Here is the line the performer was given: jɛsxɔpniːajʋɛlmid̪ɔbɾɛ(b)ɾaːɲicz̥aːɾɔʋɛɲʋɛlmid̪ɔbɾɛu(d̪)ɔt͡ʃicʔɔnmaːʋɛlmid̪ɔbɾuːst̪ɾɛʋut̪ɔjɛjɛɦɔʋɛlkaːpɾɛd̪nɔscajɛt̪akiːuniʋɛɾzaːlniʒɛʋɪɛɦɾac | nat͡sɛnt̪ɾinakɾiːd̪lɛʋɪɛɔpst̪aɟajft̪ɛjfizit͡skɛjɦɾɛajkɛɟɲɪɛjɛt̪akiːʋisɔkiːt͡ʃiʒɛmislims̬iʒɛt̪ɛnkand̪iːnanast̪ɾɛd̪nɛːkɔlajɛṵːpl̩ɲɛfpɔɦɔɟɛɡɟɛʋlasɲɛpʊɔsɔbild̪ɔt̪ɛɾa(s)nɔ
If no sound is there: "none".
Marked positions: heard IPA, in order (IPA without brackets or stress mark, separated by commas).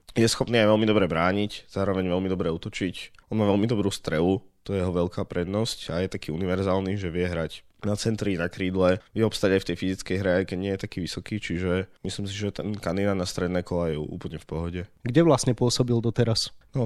b, t̪, s